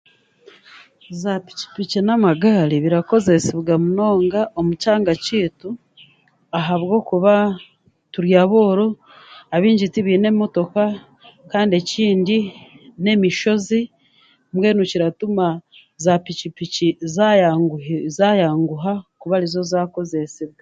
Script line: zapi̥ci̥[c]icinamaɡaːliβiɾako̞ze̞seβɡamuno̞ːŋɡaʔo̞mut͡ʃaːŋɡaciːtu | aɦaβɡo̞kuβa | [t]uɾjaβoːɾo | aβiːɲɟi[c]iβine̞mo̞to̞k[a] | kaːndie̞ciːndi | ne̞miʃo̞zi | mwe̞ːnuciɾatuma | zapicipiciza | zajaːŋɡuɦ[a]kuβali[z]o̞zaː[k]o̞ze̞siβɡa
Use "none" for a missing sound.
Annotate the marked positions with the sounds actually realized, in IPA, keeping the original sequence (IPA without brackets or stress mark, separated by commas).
p, t, t, a, a, z, k